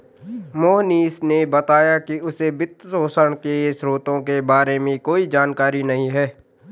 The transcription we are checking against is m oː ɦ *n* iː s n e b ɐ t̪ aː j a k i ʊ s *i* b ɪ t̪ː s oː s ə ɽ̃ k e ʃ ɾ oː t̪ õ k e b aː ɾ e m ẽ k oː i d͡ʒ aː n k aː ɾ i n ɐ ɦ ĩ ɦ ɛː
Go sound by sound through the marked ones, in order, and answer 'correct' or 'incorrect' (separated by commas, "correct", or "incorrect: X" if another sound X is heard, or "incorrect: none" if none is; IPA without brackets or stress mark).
correct, incorrect: e